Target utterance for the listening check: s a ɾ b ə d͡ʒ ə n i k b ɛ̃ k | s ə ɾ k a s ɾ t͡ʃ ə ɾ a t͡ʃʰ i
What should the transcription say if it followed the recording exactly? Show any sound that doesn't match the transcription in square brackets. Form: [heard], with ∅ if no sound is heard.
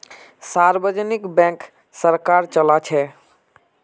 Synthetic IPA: s a ɾ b ə d͡ʒ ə n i k b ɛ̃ k | s ə ɾ k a [∅] ɾ t͡ʃ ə [l] a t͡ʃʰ [ɛ]